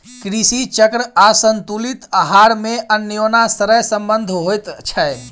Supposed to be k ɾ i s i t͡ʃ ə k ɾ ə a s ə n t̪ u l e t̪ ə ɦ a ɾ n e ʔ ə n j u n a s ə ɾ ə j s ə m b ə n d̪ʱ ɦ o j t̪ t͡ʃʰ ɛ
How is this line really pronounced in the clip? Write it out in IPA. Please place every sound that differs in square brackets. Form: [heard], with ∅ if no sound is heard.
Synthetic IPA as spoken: k ɾ i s i t͡ʃ ə k ɾ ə a s ə n t̪ u l [i] t̪ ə ɦ a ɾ [m] e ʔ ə n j [o] n a s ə ɾ ə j s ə m b ə n d̪ʱ ɦ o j t̪ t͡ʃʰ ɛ